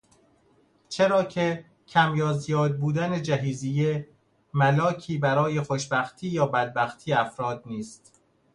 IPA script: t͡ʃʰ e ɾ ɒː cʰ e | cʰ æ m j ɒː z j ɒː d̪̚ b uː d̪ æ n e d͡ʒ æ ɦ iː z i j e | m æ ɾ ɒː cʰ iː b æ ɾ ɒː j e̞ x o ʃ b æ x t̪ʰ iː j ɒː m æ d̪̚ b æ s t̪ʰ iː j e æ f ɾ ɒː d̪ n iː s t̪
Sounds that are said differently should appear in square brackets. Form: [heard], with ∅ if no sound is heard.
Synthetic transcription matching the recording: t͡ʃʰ e ɾ ɒː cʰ e | cʰ æ m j ɒː z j ɒː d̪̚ b uː d̪ æ n e d͡ʒ æ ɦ iː z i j e | m æ [l] ɒː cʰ iː b æ ɾ ɒː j e̞ x o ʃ b æ x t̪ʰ iː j ɒː [b] æ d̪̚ b æ [x] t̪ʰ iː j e æ f ɾ ɒː d̪ n iː s t̪